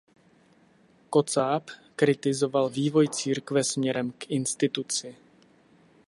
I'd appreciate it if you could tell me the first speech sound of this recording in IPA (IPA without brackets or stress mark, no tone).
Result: k